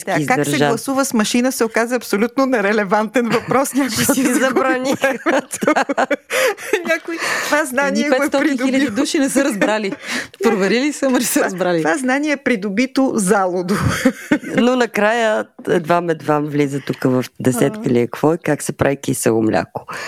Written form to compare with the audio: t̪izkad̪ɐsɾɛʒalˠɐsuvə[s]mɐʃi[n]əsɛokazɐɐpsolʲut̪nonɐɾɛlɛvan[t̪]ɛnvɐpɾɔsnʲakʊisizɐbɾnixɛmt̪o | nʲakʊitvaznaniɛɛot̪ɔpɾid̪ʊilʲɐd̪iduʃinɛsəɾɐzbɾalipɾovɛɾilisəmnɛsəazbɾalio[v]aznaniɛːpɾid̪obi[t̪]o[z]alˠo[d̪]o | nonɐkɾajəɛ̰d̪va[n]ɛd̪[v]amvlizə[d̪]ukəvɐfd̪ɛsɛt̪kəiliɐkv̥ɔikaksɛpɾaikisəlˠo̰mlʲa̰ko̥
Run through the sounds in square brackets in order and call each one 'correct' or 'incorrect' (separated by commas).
correct, correct, correct, correct, correct, correct, correct, incorrect, correct, incorrect